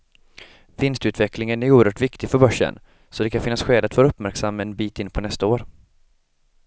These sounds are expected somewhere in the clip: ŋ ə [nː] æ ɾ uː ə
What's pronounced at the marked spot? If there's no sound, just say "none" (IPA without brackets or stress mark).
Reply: n